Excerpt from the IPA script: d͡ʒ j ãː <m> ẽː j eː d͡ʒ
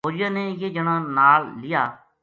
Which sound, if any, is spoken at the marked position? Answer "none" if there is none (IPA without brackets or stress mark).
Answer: n